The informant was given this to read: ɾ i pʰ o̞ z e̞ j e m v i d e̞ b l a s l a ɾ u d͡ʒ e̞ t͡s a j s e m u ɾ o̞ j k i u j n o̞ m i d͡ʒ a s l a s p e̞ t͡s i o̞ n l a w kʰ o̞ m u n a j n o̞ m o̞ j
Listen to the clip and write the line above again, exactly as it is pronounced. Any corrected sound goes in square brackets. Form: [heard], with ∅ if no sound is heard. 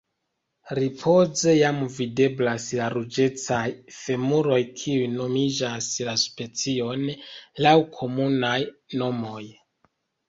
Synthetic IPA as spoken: ɾ i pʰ o̞ z e̞ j [a] m v i d e̞ b l a s l a ɾ u d͡ʒ e̞ t͡s a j [f] e m u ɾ o̞ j [kʰ] i u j n o̞ m i d͡ʒ a s l a s p e̞ t͡s i o̞ n l a w kʰ o̞ m u n a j n o̞ m o̞ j